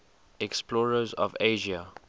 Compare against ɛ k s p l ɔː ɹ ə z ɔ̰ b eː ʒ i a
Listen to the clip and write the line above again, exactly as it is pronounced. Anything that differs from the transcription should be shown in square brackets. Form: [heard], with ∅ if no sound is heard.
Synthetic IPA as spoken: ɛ k s p l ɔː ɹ ə z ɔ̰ [v] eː ʒ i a